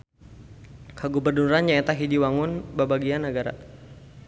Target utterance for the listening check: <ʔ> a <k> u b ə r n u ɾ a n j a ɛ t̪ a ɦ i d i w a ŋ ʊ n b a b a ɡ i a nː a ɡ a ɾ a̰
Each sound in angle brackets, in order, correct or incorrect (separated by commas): incorrect, incorrect